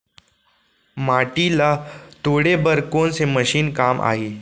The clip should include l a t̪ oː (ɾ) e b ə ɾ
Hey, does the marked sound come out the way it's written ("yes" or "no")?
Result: no